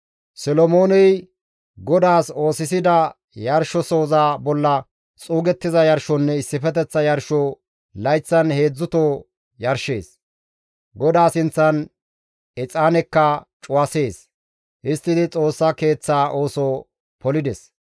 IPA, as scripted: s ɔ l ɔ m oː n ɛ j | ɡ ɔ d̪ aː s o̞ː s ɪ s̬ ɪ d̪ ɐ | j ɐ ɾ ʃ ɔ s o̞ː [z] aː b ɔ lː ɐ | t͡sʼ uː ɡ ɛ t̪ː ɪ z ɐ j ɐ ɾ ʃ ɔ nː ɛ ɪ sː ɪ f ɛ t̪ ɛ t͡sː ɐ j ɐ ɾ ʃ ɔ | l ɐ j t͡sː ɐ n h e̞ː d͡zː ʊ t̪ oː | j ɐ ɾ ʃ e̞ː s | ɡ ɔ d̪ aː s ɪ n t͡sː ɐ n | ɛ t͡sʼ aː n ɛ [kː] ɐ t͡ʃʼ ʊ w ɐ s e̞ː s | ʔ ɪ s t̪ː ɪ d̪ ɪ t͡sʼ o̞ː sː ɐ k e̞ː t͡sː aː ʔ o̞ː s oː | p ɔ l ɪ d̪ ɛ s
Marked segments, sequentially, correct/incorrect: correct, correct

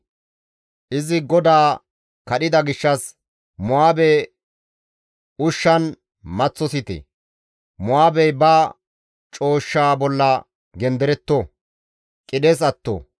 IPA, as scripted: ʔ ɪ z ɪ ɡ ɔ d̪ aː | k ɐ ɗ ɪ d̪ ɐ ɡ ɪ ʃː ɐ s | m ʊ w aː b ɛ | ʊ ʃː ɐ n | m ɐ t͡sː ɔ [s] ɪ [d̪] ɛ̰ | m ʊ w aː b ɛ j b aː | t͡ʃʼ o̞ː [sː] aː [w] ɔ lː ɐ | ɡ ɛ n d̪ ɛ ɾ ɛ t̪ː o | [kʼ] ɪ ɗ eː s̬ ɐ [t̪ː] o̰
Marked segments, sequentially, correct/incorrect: correct, incorrect: t̪, incorrect: ʃː, incorrect: b, correct, correct

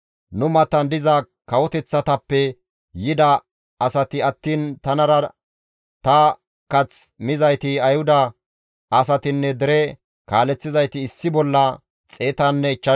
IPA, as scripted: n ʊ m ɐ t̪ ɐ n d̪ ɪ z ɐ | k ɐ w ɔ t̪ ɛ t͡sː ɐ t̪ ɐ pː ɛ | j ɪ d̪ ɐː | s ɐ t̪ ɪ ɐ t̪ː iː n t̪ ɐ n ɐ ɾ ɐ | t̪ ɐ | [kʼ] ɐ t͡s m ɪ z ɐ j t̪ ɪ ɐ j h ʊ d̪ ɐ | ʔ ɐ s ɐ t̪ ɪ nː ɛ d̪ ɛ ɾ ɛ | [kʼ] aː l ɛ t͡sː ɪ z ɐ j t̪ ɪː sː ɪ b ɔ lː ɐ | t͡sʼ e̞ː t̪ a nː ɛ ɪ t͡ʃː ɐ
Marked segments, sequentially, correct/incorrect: incorrect: k, incorrect: k

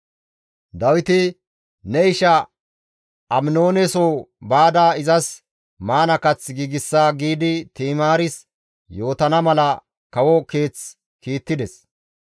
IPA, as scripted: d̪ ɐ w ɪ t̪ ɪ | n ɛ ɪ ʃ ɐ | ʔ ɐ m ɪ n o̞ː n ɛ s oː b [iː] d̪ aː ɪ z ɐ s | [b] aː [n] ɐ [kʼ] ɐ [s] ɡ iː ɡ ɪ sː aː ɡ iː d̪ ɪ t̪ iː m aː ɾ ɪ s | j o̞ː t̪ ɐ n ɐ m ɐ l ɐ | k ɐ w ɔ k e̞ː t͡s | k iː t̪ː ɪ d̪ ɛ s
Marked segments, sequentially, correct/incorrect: incorrect: aː, incorrect: m, correct, incorrect: k, incorrect: t͡s

